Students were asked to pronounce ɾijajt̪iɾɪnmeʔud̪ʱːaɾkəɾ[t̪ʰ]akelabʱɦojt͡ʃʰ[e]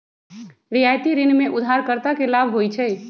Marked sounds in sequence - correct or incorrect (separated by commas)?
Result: incorrect, incorrect